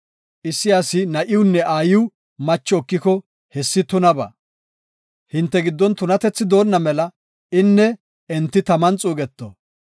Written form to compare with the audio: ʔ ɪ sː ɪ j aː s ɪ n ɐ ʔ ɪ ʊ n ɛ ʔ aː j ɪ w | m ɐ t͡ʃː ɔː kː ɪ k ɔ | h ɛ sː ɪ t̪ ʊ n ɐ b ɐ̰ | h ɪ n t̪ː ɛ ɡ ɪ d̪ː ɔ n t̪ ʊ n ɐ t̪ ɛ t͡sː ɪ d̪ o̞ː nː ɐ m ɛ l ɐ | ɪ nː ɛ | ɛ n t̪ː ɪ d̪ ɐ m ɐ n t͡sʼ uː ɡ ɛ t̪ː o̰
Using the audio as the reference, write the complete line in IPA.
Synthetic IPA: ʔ ɪ sː ɪ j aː s ɪ n ɐ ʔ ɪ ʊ nː ɛ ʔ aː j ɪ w | m ɐ t͡ʃː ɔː kː ɪ k ɔ | h ɛ sː ɪ t̪ ʊ n ɐ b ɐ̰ | h ɪ n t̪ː ɛ ɡ ɪ d̪ː ɔ n t̪ ʊ n ɐ t̪ ɛ t͡sː ɪ d̪ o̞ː nː ɐ m ɛ l ɐ | ɪ nː ɛ | ɛ n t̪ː ɪ t̪ ɐ m ɐ n t͡sʼ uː ɡ ɛ t̪ː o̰